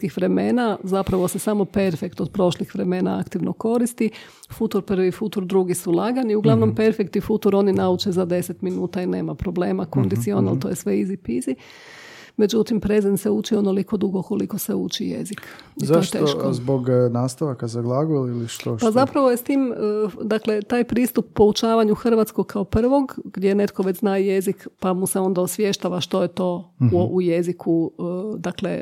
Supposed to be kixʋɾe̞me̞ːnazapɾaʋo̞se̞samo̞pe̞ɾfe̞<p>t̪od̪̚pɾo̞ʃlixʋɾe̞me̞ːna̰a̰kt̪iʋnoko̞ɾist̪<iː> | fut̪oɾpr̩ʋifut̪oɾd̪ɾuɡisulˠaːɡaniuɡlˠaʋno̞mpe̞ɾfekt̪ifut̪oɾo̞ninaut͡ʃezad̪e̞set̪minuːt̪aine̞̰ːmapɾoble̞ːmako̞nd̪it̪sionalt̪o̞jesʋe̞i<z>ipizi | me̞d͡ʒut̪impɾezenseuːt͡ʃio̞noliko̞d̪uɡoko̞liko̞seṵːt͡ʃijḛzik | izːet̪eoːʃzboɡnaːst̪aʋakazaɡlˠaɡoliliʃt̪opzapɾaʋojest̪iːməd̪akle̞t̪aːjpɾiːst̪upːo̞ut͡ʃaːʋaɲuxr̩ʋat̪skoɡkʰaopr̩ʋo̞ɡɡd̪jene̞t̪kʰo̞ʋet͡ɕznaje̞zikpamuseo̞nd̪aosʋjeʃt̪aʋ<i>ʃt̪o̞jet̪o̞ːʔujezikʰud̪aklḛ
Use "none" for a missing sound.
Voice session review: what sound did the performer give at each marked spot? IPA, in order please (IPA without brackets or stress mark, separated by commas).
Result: k, i, z, a